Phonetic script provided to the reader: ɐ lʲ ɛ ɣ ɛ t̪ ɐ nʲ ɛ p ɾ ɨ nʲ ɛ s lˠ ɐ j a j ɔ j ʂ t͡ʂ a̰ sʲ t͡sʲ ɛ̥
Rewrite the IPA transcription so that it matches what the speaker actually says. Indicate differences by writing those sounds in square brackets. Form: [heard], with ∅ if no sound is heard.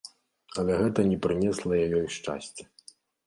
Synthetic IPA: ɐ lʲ ɛ ɣ ɛ t̪ ɐ nʲ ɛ p ɾ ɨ nʲ ɛ s lˠ ɐ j a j ɔ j ʂ t͡ʂ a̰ sʲ t͡sʲ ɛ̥